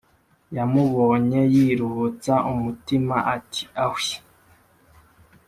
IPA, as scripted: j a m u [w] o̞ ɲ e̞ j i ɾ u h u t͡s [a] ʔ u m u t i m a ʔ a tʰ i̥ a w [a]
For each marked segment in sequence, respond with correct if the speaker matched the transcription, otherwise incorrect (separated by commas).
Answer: incorrect, correct, incorrect